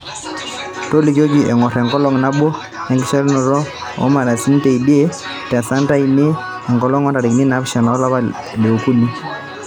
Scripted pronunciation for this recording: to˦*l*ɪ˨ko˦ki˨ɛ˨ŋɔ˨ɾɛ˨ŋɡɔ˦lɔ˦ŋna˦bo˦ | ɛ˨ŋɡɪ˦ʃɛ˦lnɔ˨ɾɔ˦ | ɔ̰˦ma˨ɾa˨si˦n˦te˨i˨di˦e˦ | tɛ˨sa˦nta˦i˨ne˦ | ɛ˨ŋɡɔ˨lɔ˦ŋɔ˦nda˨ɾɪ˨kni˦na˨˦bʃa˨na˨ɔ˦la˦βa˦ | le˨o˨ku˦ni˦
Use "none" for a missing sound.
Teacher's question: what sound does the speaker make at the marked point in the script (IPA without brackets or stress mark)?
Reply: l